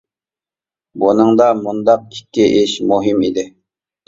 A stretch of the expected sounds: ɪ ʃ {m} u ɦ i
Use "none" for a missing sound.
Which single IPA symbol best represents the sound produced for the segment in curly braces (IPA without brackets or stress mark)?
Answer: m